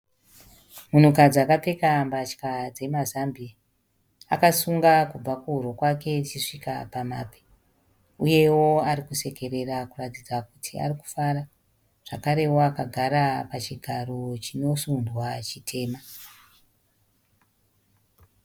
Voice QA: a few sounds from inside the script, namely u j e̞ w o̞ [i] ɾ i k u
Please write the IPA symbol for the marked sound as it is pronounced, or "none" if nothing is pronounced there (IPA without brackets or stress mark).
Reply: a